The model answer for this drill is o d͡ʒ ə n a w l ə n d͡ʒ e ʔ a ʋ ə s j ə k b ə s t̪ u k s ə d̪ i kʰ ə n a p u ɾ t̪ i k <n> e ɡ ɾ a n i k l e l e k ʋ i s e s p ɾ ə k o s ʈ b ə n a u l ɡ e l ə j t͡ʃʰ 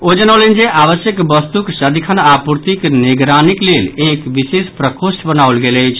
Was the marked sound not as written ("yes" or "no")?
no